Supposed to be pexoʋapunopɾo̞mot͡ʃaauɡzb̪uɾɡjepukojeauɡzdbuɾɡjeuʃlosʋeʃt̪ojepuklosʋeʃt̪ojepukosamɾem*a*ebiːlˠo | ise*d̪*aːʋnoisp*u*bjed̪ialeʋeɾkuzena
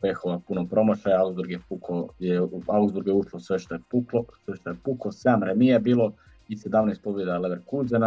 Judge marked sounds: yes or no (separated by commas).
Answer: no, yes, no